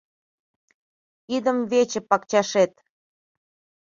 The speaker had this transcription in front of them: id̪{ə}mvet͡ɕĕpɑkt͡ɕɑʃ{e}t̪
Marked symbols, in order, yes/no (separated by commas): yes, yes